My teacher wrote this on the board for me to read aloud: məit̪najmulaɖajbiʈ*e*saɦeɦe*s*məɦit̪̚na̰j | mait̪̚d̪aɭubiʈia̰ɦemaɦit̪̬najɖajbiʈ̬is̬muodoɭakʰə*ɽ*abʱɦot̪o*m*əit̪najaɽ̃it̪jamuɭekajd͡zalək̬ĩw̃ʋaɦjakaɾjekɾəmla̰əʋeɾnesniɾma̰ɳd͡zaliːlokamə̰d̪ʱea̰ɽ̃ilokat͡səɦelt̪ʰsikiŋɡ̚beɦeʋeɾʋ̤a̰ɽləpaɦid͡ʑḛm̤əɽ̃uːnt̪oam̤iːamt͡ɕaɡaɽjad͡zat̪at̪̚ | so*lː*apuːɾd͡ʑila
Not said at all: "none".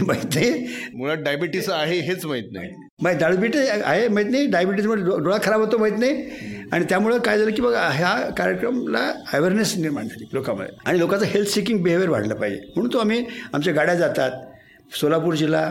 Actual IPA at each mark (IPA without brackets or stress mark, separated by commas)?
i, t͡s, ɾ, m, l